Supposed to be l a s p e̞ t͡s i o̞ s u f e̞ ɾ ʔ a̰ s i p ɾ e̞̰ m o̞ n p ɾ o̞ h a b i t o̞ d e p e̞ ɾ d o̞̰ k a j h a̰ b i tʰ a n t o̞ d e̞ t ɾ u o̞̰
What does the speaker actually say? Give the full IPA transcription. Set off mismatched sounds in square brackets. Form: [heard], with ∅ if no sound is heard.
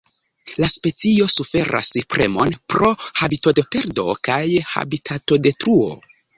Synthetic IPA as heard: l a s p e̞ t͡s i o̞ s u f e̞ ɾ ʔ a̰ s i p ɾ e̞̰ m o̞ n p ɾ o̞ h a b i t o̞ d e p e̞ ɾ d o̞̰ k a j h a̰ b i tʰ a [∅] t o̞ d e̞ t ɾ u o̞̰